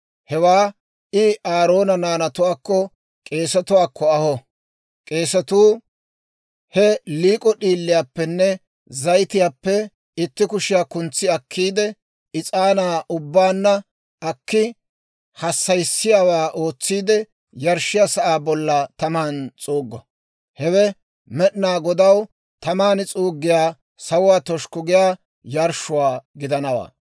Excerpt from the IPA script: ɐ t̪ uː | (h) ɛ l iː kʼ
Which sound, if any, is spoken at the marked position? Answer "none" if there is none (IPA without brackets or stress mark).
h